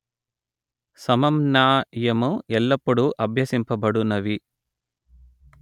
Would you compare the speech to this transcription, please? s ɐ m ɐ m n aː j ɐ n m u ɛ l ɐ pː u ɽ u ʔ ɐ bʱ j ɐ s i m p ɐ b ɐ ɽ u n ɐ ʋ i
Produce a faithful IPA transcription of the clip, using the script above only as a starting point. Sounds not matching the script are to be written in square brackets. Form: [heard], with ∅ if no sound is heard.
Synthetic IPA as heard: s ɐ m ɐ m n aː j ɐ [∅] m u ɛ [lː] ɐ pː u ɽ u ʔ ɐ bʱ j ɐ s i m p ɐ b ɐ ɽ u n ɐ ʋ i